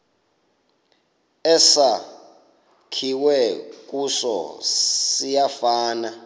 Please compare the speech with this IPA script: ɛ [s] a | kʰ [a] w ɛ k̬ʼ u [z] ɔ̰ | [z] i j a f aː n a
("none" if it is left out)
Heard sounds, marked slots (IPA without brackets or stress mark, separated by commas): s, i, s, s